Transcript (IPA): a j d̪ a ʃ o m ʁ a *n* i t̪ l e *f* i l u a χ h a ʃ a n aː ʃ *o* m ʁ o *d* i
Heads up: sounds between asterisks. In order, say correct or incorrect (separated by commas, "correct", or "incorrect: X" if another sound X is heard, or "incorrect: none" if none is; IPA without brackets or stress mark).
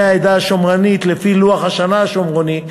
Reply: correct, correct, correct, incorrect: n